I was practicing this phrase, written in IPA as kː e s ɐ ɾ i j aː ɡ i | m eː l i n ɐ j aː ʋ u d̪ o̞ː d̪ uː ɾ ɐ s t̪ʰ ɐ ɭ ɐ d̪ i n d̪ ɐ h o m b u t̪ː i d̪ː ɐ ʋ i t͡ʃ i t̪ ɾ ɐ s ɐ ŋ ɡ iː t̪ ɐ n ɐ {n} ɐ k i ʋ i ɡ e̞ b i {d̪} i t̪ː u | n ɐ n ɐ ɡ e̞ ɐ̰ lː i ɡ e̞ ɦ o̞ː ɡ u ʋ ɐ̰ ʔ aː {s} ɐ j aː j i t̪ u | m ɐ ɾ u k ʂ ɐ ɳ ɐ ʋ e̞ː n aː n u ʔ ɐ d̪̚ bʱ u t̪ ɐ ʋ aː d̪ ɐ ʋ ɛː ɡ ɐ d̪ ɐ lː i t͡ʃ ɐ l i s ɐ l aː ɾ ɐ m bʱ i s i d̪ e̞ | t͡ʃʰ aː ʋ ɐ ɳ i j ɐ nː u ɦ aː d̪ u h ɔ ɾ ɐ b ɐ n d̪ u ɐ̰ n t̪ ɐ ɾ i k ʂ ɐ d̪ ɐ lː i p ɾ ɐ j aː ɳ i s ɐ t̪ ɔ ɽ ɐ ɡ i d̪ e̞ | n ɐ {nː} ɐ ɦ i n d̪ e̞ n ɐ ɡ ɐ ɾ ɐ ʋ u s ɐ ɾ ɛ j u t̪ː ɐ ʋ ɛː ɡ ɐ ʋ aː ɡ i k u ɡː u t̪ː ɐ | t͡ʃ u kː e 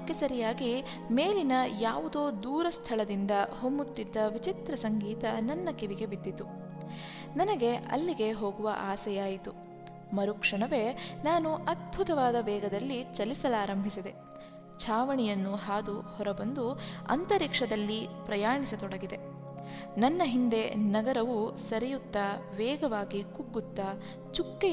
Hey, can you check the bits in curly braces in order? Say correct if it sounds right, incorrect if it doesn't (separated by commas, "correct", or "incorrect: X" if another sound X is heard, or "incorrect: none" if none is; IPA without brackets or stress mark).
incorrect: nː, incorrect: d̪ː, correct, correct